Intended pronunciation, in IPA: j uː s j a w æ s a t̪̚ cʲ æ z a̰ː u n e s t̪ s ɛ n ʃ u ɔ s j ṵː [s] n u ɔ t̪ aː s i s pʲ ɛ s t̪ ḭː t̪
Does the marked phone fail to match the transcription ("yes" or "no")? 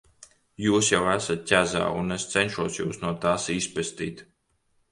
no